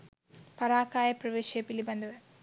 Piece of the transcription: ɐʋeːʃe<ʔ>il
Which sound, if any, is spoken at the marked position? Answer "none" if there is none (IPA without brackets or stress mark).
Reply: p